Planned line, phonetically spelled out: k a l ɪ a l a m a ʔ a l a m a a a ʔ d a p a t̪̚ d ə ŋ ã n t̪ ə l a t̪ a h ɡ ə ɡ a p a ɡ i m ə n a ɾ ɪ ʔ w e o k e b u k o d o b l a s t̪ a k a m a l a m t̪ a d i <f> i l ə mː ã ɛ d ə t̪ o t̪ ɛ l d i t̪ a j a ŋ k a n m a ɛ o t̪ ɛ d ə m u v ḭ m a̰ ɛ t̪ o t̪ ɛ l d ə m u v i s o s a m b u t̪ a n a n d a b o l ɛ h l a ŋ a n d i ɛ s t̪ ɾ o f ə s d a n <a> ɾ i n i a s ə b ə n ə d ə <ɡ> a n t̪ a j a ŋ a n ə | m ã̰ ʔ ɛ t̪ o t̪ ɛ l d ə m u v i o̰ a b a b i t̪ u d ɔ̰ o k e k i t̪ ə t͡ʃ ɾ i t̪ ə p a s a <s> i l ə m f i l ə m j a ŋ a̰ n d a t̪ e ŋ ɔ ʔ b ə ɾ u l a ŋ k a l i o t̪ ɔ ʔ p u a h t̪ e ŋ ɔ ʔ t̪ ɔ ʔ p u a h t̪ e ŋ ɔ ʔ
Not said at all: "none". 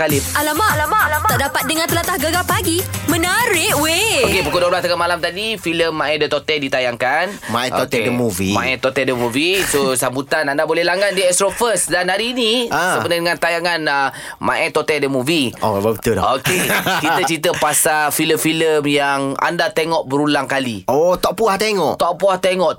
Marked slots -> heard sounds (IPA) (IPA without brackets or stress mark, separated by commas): f, a, ŋ, f